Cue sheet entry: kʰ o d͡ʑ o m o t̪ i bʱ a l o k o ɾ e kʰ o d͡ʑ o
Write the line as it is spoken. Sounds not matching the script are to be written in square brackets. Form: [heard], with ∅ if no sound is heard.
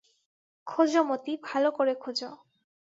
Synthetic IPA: kʰ o d͡ʑ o m o t̪ i bʱ a l o k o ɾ e kʰ o d͡ʑ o

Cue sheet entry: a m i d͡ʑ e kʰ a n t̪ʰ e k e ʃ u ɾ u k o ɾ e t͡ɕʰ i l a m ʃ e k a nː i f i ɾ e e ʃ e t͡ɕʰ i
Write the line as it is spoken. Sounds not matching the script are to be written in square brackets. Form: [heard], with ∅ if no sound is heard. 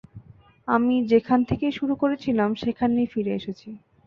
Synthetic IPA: a m i d͡ʑ e kʰ a n t̪ʰ e k e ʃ u ɾ u k o ɾ e t͡ɕʰ i l a m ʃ e [kʰ] a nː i f i ɾ e e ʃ e t͡ɕʰ i

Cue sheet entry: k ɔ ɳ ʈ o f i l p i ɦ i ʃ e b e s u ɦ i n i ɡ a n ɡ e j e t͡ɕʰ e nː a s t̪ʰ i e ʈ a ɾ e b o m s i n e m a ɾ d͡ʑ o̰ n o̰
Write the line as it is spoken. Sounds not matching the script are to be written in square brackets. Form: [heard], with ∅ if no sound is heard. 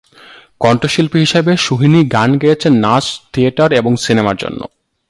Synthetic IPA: k ɔ ɳ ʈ o [ʃ] i l p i ɦ i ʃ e b e [ʃ] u ɦ i n i ɡ a n ɡ e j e t͡ɕʰ e nː a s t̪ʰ i e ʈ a ɾ e b o [ŋ] s i n e m a ɾ d͡ʑ o̰ [nː] o̰

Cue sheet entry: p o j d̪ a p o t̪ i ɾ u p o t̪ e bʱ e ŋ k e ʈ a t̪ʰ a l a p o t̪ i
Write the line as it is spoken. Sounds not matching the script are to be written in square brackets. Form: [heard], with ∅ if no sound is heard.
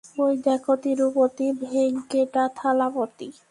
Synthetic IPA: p o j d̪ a [k] o t̪ i ɾ u p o t̪ [i] bʱ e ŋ k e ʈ a t̪ʰ a l a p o t̪ i

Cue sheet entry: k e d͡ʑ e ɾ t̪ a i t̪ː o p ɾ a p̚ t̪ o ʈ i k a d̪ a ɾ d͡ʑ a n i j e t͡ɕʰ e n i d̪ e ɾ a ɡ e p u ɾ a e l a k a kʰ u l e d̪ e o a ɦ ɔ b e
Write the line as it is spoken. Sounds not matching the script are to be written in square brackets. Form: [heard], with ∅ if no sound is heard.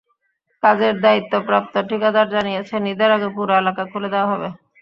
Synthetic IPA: k [a] d͡ʑ e ɾ [d̪] a i t̪ː o p ɾ a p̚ t̪ o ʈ i k a d̪ a ɾ d͡ʑ a n i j e t͡ɕʰ e n i d̪ e ɾ a ɡ e p u ɾ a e l a k a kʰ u l e d̪ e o a ɦ ɔ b e

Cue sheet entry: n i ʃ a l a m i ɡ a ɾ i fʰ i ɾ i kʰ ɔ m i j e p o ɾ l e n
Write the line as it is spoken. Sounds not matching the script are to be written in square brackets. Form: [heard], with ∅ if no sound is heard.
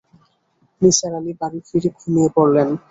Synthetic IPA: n i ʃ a [ɾ] a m i [b] a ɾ i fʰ i ɾ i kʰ [u] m i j e p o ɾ l e n

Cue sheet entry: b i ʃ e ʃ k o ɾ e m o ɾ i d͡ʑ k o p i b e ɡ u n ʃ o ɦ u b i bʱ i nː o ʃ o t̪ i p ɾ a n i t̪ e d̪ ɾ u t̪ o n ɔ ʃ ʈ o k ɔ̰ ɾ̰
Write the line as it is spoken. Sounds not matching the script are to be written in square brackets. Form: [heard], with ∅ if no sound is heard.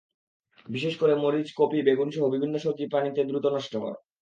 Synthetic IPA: b i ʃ e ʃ k o ɾ e m o ɾ i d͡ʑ k o p i b e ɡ u n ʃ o ɦ [o] b i bʱ i nː o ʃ o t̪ i p ɾ a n i t̪ e d̪ ɾ u t̪ o n ɔ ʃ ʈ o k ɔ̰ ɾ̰

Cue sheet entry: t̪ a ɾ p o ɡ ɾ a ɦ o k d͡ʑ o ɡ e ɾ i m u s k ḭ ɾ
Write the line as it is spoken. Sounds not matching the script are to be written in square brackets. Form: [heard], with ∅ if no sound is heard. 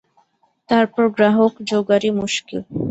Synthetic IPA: t̪ a ɾ p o ɡ ɾ a ɦ o k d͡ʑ o ɡ [a] ɾ i m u [ʃ] k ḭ [l]

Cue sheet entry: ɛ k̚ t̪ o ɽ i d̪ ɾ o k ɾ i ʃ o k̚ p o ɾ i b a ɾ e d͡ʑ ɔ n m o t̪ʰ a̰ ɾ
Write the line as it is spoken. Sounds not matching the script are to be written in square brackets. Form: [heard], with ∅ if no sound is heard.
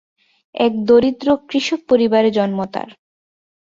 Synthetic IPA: ɛ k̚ [d̪] o [ɾ] i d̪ ɾ o k ɾ i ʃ o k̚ p o ɾ i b a ɾ e d͡ʑ ɔ n m o [t̪] a̰ ɾ

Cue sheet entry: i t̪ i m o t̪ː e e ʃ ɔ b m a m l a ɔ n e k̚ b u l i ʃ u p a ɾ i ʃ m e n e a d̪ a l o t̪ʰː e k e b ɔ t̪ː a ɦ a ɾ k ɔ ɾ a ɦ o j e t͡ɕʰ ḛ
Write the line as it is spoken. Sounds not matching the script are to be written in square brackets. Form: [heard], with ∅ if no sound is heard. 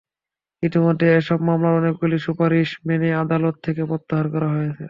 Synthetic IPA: i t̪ i m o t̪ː e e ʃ ɔ b m a m l a ɔ n e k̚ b u l i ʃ u p a ɾ i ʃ m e n e a d̪ a l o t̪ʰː e k e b ɔ t̪ː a ɦ a ɾ k ɔ ɾ a ɦ o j e t͡ɕʰ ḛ

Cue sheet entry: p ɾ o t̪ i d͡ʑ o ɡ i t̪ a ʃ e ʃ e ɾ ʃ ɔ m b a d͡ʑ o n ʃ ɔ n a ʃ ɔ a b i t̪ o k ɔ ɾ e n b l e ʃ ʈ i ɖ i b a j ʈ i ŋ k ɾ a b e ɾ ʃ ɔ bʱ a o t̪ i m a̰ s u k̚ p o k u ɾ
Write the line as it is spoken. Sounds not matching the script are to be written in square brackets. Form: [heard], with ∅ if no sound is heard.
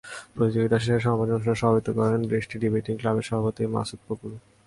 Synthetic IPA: p ɾ o t̪ i d͡ʑ o ɡ i t̪ a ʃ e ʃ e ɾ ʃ ɔ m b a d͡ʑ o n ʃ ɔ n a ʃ ɔ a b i t̪ o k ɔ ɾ e n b [ɾ] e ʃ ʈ i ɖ i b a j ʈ i ŋ k [l] a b e ɾ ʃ ɔ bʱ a o t̪ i m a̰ s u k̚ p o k u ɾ

